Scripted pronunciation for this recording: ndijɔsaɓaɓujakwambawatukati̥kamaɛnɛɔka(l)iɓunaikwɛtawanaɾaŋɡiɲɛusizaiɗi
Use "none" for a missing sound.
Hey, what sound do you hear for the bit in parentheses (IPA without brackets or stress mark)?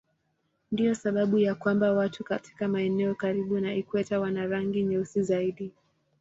ɾ